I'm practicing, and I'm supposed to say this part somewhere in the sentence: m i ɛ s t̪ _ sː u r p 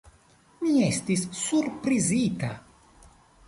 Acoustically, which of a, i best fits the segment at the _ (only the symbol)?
i